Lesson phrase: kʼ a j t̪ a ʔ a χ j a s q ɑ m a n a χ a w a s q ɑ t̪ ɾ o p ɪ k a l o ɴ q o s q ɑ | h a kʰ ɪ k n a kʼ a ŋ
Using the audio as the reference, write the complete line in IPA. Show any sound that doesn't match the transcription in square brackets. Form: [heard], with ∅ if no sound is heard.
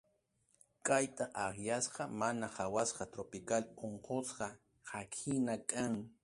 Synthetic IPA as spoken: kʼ a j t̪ a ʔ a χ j a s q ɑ m a n a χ a w a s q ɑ t̪ ɾ o p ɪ k a l o ɴ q o s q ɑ | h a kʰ ɪ [∅] n a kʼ a ŋ